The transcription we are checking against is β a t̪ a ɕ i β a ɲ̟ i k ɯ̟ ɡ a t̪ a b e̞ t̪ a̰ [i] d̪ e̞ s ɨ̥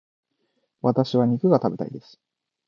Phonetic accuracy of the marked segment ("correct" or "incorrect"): correct